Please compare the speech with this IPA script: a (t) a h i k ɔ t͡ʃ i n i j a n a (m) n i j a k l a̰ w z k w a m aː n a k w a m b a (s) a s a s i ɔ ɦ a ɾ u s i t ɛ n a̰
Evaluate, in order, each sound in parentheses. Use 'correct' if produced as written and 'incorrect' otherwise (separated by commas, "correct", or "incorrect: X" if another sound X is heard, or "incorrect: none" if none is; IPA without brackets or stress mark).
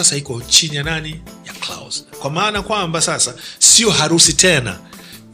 incorrect: s, incorrect: none, correct